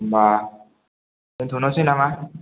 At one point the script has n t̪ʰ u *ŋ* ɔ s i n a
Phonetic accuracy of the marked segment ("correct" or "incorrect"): incorrect